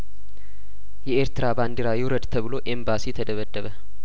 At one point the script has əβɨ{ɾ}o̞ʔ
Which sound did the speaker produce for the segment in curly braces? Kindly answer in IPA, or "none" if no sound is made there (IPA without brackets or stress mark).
l